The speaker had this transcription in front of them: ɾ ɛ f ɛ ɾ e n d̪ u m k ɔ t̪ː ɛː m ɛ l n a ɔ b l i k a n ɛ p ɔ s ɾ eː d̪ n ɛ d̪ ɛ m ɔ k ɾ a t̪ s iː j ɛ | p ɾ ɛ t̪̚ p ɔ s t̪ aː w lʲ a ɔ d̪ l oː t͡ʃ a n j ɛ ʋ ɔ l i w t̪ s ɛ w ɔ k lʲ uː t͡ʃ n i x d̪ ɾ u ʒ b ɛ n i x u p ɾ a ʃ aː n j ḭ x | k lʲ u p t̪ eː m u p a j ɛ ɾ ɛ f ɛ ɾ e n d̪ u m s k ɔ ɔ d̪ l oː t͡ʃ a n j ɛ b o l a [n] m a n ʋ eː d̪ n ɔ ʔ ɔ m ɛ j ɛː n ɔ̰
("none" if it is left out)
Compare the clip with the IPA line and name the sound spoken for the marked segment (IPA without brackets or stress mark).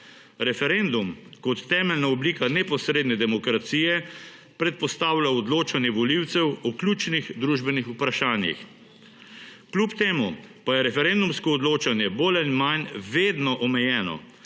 n